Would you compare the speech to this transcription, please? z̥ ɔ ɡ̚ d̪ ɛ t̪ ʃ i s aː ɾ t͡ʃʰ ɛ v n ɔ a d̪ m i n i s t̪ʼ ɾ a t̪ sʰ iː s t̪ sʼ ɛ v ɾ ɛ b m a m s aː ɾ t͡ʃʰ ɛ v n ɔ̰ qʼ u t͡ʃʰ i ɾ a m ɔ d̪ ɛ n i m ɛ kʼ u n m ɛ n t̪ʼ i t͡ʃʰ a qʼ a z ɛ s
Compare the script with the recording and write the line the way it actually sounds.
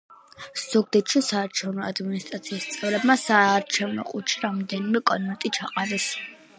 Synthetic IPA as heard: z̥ ɔ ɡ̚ d̪ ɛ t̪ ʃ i s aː ɾ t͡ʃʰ ɛ v n ɔ a d̪ m i n i s t̪ʼ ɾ a t̪ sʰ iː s t̪ sʼ ɛ v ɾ ɛ b m a s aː ɾ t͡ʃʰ ɛ v n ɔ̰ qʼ u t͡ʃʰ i ɾ a m ɔ d̪ ɛ n i m ɛ kʼ ɔ n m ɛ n t̪ʼ i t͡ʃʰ a qʼ a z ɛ s

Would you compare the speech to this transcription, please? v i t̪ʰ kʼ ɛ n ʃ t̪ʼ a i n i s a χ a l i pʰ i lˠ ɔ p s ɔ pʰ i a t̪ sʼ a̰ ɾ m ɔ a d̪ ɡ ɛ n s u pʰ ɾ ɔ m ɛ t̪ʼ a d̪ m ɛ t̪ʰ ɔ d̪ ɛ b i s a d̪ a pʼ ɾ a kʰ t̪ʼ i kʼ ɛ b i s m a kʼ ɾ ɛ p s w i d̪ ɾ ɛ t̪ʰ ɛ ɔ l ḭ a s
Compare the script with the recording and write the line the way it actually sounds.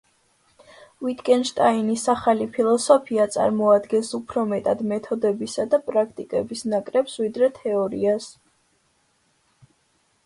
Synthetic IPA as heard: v i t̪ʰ kʼ ɛ n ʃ t̪ʼ a i n i s a χ a l i pʰ i lˠ ɔ s ɔ pʰ i a t̪ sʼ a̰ ɾ m ɔ a d̪ ɡ ɛ n s u pʰ ɾ ɔ m ɛ t̪ʼ a d̪ m ɛ t̪ʰ ɔ d̪ ɛ b i s a d̪ a pʼ ɾ a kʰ t̪ʼ i kʼ ɛ b i s n a kʼ ɾ ɛ p s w i d̪ ɾ ɛ t̪ʰ ɛ ɔ ɾ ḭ a s

